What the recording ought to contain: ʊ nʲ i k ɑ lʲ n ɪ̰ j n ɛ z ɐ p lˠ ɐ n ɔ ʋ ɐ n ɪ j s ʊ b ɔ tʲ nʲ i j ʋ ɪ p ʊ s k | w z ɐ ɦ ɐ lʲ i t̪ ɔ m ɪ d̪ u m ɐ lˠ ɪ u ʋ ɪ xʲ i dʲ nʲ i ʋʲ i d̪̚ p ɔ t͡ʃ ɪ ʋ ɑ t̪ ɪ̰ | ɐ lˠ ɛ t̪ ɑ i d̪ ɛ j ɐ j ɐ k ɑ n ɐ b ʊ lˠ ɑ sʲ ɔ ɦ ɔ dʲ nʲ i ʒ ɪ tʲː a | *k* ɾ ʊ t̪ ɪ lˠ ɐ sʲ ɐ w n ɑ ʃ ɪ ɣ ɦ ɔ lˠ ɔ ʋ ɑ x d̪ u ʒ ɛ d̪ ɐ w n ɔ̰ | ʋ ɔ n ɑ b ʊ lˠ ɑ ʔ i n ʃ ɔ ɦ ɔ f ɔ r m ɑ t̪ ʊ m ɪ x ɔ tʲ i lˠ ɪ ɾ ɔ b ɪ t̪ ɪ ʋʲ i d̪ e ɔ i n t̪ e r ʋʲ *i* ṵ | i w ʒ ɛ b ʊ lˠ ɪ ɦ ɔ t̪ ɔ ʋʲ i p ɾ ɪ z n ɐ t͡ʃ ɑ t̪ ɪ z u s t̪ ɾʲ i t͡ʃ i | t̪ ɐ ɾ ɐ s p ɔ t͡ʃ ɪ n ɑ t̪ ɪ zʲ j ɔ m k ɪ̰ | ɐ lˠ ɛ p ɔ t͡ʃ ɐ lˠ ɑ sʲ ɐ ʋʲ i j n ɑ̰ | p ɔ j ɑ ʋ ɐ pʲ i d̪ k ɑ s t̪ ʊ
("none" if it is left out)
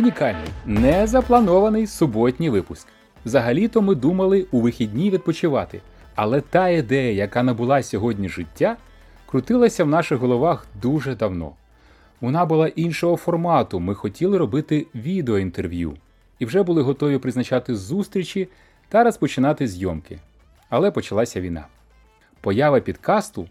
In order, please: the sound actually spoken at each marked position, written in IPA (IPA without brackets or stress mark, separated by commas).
k, j